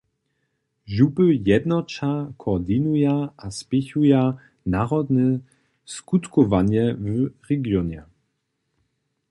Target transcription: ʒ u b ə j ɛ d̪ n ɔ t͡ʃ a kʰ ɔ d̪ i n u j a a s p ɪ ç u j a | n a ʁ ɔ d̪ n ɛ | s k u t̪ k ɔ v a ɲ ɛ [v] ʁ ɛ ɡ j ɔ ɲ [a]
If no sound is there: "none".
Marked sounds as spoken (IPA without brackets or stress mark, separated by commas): v, ɛ